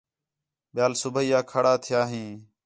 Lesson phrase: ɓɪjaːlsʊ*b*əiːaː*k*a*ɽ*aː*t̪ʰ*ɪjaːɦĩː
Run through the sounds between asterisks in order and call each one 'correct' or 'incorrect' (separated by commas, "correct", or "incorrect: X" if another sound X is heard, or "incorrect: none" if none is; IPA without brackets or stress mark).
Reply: correct, incorrect: kʰ, correct, correct